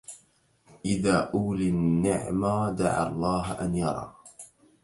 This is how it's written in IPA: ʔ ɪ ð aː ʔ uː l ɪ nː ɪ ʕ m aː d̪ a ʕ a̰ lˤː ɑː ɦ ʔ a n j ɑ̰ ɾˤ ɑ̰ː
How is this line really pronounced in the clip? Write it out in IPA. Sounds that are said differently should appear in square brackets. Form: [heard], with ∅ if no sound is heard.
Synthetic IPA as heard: ʔ ɪ ð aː ʔ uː l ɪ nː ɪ ʕ m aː d̪ a ʕ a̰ lˤː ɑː ɦ ʔ a n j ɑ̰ ɾˤ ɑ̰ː